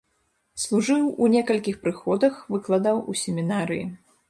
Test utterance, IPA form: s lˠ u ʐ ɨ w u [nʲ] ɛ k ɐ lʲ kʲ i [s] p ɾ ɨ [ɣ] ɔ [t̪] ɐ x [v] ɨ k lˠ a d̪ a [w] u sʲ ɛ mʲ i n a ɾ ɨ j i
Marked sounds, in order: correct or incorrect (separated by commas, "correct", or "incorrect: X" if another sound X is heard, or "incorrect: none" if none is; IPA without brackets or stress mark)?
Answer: correct, incorrect: x, incorrect: x, incorrect: d̪, correct, correct